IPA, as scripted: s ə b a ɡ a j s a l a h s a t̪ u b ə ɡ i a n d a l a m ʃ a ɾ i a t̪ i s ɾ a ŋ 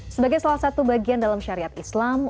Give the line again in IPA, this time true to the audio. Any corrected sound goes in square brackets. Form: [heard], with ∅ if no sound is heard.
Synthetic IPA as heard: s ə b a ɡ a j s a l a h s a t̪ u b [a] ɡ i a n d a l a m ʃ a ɾ i a t̪ i s [l] a [m]